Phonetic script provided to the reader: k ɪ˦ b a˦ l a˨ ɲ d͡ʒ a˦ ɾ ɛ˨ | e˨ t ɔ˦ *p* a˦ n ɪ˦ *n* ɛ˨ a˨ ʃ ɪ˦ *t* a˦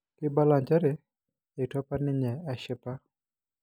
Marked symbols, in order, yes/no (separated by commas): yes, no, no